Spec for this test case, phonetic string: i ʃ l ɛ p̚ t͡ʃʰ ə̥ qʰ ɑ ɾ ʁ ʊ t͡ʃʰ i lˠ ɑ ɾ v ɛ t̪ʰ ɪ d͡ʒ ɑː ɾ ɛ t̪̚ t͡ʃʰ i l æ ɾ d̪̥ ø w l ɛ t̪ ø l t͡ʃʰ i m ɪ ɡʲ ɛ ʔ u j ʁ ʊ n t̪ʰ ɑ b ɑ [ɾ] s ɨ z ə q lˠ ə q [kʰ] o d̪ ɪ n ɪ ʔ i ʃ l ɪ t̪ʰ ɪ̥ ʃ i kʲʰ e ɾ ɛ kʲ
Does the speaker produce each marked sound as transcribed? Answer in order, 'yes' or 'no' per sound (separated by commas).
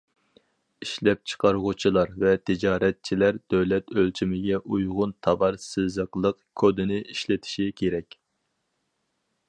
yes, yes